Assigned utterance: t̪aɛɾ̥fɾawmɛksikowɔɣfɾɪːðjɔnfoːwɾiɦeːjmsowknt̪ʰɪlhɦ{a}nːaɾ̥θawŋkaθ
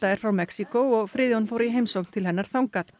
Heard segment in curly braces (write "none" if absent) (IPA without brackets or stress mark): ɛ